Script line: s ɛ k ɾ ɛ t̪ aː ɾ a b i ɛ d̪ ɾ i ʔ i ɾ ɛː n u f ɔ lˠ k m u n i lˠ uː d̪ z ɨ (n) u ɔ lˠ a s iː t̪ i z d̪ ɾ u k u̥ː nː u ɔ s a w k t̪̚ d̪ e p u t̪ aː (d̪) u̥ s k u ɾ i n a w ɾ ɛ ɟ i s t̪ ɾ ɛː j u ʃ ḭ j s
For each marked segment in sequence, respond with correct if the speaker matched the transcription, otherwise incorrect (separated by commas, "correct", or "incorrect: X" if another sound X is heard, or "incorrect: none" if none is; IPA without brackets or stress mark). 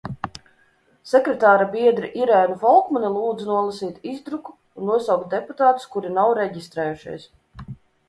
correct, incorrect: t̪